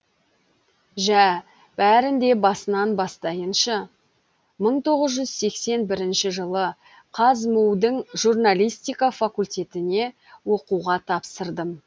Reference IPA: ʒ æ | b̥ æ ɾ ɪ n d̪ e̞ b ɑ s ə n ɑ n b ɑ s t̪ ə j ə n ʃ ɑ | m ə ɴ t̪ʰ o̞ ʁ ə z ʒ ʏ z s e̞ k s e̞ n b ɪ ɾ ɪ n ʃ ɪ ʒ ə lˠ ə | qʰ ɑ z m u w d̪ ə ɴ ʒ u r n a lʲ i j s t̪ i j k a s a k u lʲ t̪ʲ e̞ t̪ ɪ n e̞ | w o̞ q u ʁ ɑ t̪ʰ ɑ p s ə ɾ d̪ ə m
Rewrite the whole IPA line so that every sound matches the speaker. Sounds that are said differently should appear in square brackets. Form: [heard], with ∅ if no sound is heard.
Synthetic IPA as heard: ʒ æ | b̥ æ ɾ ɪ n d̪ e̞ b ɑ s ə n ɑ n b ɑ s t̪ [ɑ] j ə n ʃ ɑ | m ə ɴ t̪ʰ o̞ ʁ ə z ʒ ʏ z s e̞ k s e̞ n b ɪ ɾ ɪ n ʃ ɪ ʒ ə lˠ ə | qʰ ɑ z m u w d̪ ə ɴ ʒ u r n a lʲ i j s t̪ i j k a [f] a k u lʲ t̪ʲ e̞ t̪ ɪ n e̞ | w o̞ q u ʁ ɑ t̪ʰ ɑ p s ə ɾ d̪ ə m

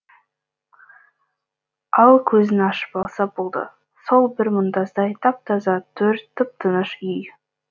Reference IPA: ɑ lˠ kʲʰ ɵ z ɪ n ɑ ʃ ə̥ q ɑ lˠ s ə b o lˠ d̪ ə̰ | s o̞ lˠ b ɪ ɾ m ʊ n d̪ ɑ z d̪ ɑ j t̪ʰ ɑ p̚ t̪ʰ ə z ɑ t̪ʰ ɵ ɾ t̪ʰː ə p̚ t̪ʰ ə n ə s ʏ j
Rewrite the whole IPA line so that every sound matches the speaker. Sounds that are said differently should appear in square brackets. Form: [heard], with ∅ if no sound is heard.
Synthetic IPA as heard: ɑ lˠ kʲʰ ɵ z ɪ n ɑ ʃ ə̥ [p] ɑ lˠ s [ɑ] b o lˠ d̪ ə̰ | s o̞ lˠ b ɪ ɾ m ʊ n d̪ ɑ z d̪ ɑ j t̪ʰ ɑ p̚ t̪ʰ [ɑ] z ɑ t̪ʰ ɵ ɾ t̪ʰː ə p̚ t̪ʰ ə n ə [ʃ] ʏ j

